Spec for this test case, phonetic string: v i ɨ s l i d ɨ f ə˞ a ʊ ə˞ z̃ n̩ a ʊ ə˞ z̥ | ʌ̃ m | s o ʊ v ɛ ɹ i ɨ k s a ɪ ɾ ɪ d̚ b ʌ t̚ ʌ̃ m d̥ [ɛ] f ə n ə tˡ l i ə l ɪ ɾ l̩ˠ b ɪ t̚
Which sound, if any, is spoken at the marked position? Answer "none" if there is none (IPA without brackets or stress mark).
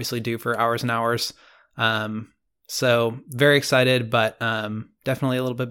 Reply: ɛ